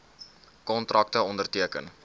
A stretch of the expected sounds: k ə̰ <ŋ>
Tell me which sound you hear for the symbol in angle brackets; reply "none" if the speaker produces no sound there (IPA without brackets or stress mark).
n